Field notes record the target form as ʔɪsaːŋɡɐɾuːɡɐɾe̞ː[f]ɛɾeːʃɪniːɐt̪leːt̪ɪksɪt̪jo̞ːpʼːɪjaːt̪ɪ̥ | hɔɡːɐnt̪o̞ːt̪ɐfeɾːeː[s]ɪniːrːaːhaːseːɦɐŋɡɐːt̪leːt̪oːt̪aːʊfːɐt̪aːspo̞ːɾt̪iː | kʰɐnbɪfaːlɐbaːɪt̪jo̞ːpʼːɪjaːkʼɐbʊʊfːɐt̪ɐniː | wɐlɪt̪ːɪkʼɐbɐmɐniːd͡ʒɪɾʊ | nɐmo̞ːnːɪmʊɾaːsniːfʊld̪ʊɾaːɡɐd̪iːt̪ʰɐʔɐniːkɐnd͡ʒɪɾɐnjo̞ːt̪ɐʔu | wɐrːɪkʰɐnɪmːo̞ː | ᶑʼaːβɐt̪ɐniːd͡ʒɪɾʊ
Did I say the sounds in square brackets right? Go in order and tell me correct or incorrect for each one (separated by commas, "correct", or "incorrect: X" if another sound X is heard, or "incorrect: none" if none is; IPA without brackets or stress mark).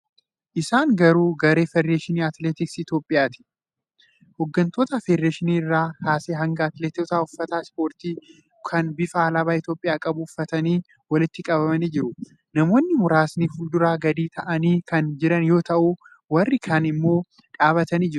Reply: correct, incorrect: ʃ